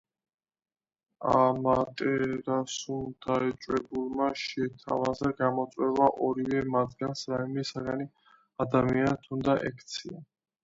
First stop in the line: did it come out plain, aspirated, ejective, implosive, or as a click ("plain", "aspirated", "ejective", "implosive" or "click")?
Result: ejective